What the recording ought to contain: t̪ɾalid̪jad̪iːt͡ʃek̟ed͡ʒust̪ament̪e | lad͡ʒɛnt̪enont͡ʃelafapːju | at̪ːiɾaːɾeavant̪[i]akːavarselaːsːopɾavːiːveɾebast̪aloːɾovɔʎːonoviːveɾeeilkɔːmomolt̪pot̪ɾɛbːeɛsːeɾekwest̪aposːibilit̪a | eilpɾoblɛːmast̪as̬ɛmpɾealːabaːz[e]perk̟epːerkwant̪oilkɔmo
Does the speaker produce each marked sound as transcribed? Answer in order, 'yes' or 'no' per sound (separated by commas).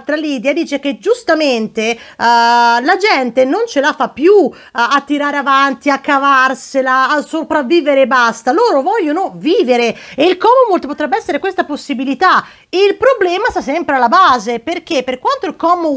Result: yes, yes